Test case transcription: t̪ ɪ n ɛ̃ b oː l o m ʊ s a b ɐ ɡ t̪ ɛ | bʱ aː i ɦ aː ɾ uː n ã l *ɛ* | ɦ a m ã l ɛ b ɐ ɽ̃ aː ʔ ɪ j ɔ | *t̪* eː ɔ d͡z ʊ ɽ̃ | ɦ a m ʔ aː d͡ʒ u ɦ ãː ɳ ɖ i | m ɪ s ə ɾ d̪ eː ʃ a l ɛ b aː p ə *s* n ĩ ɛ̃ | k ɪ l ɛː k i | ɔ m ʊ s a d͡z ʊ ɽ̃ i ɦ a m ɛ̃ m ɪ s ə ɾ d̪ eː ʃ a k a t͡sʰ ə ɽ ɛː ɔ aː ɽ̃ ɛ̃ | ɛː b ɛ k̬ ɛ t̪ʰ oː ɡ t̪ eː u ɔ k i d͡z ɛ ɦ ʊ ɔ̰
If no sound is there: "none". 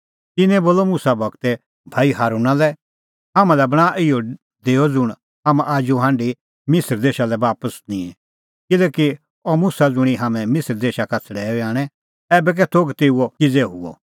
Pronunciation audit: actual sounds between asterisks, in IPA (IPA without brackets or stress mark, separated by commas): ɛ, d̪, s